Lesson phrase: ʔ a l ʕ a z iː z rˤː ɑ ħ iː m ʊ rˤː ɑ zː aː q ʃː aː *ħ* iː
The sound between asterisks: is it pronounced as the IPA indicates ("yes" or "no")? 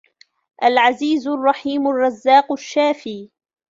no